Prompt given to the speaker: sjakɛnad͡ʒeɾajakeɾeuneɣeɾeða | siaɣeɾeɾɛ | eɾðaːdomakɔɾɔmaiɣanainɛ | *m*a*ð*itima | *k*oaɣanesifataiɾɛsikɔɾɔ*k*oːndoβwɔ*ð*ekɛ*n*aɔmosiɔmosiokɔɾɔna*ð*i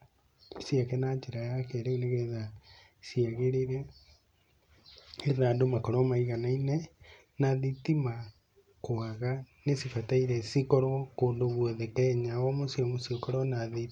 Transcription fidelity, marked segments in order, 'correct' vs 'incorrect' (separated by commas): incorrect, correct, correct, correct, correct, incorrect, correct